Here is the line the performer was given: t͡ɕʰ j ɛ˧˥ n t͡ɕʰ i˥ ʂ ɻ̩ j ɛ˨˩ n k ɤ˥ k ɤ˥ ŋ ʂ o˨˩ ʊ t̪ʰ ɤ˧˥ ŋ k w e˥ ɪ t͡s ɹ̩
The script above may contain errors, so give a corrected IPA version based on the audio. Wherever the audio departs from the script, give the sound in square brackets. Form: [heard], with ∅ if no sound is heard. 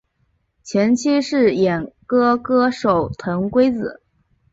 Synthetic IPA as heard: t͡ɕʰ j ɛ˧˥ n t͡ɕʰ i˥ ʂ ɻ̩ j ɛ˨˩ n k ɤ˥ k ɤ˥ [∅] ʂ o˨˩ ʊ t̪ʰ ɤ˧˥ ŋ k w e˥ ɪ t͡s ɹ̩